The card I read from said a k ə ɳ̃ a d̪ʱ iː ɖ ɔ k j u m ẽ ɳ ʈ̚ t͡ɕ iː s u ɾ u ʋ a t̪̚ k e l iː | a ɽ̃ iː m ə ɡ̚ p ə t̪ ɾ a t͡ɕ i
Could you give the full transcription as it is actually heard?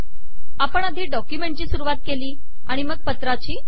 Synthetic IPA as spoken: a p ə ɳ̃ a d̪ʱ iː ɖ ɔ k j u m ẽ ɳ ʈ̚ t͡ɕ iː s u ɾ u ʋ a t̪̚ k e l iː | a ɽ̃ i m ə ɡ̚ p ə t̪ ɾ a t͡ɕ iː